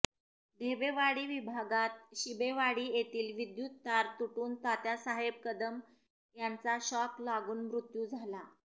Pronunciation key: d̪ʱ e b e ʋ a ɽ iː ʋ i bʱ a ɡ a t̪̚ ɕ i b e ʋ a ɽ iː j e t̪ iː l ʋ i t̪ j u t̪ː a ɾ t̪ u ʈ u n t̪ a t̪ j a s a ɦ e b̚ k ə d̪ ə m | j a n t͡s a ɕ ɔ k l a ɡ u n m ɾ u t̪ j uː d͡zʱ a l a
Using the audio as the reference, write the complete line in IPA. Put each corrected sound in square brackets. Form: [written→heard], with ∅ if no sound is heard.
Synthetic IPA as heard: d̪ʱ e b e ʋ a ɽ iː ʋ i bʱ a ɡ a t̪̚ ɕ i b e ʋ a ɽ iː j e t̪ iː l ʋ i [t̪→d̪] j u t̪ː a ɾ t̪ u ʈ [u→uː] n t̪ a t̪ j a s a ɦ e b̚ k ə d̪ ə m | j a n t͡s a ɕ ɔ k l a ɡ [u→uː] n m ɾ u t̪ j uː d͡zʱ a l a